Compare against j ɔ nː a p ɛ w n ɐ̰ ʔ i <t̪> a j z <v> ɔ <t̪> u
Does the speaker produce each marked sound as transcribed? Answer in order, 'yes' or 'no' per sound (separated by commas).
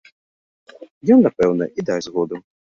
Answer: no, no, no